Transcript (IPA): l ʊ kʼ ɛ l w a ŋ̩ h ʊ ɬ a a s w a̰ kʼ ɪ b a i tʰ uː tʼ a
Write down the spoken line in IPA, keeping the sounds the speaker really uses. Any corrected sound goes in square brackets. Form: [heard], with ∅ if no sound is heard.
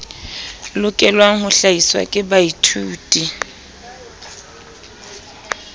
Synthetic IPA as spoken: l ʊ kʼ ɛ l w a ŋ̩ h ʊ ɬ a [i] s w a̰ kʼ ɪ b a i tʰ uː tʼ [i]